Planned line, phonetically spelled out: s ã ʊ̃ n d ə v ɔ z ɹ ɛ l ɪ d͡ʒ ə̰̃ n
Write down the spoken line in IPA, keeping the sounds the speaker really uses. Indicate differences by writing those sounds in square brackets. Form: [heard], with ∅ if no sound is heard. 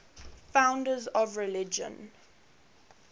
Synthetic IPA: [f] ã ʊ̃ n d ə [z] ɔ [v] ɹ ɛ l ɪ d͡ʒ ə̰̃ n